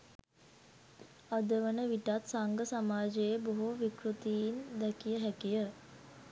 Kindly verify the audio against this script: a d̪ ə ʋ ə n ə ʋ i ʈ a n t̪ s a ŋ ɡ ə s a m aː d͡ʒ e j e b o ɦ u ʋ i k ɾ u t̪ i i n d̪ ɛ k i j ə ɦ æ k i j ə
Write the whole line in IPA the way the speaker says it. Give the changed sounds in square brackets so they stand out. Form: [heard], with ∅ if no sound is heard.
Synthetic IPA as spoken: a d̪ ə ʋ ə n ə ʋ i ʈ a [∅] t̪ s a ŋ ɡ ə s a m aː d͡ʒ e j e b o ɦ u ʋ i k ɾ u t̪ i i n d̪ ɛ k i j ə ɦ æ k i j ə